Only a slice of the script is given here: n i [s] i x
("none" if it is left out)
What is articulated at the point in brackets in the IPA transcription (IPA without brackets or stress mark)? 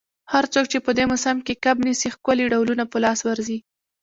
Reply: s